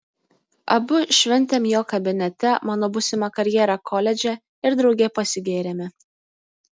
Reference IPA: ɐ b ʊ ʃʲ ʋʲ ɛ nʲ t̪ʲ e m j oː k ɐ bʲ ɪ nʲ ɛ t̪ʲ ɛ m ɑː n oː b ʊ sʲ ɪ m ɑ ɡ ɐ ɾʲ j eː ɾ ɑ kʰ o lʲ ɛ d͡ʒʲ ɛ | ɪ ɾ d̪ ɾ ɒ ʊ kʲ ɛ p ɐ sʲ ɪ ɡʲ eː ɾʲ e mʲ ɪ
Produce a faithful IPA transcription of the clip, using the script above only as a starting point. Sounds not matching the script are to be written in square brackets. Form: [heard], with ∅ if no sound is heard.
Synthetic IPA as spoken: ɐ b ʊ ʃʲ ʋʲ ɛ nʲ t̪ʲ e m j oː k ɐ bʲ ɪ nʲ ɛ t̪ʲ ɛ m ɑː n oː b ʊ sʲ ɪ m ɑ [k] ɐ ɾʲ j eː ɾ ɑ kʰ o lʲ ɛ d͡ʒʲ ɛ | ɪ ɾ d̪ ɾ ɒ ʊ [ɡʲ] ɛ p ɐ sʲ ɪ ɡʲ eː ɾʲ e mʲ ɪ